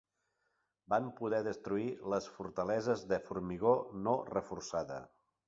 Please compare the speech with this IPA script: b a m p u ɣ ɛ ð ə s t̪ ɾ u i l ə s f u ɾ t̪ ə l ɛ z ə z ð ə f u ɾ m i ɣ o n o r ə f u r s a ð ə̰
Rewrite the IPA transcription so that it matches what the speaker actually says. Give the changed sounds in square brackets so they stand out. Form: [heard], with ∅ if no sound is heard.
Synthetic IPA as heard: b a m p u [ð] ɛ ð ə s t̪ ɾ u i l ə s f u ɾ t̪ ə l ɛ z ə z ð ə f u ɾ m i ɣ o n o r ə f u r s a ð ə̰